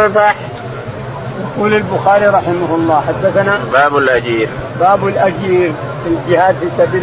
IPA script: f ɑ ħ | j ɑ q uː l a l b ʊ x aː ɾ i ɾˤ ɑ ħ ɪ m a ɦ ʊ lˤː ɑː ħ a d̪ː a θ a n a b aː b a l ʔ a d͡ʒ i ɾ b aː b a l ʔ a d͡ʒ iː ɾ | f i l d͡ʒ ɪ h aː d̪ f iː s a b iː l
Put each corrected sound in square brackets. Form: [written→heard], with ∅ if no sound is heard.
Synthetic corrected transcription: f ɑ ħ | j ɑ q uː l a l b ʊ x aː ɾ i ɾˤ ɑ ħ ɪ m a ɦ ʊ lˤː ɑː ħ a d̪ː a θ a n a b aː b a l ʔ a d͡ʒ [i→iː] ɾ b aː b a l ʔ a d͡ʒ iː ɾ | f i l d͡ʒ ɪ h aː d̪ f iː s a b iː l